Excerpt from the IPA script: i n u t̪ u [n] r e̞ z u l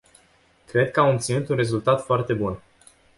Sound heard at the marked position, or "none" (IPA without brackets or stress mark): n